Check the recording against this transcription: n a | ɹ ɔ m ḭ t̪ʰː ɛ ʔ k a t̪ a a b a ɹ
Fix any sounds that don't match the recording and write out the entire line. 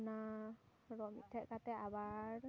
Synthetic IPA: n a | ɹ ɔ m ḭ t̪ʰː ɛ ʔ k a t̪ ɛ a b a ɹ